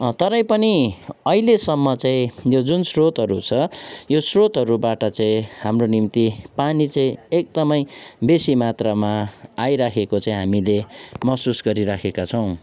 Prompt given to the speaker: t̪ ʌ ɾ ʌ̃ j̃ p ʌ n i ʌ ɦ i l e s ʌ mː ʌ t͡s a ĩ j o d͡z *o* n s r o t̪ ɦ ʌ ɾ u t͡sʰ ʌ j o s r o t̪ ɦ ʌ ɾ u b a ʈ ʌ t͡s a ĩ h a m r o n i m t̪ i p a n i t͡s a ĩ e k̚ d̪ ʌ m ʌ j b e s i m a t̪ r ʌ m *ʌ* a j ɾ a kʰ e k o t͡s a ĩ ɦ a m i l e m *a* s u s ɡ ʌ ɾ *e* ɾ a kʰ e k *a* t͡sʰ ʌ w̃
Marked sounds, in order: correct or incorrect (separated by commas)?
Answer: incorrect, incorrect, incorrect, incorrect, correct